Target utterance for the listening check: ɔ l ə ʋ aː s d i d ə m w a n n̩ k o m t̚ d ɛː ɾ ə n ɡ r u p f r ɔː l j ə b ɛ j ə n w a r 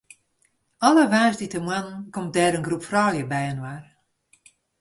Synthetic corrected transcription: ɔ l ə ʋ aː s d i t ə m w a n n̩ k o m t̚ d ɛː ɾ ə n ɡ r u p f r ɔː l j ə b ɛ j ə n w a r